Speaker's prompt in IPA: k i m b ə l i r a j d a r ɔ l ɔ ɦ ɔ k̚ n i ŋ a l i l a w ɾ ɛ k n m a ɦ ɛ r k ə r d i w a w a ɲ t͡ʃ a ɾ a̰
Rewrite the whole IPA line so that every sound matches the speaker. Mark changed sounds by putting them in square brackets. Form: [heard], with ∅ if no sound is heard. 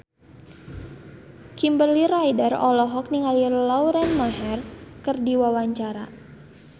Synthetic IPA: k i m b ə l i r a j d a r ɔ l ɔ ɦ ɔ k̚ n i ŋ a l i l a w ɾ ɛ [∅] n m a ɦ ɛ r k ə r d i w a w a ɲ t͡ʃ a ɾ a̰